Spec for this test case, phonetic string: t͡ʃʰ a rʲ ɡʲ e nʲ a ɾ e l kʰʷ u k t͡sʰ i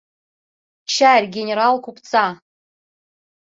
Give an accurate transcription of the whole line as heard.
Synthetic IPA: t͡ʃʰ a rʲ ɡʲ e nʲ e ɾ a l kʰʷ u p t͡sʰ a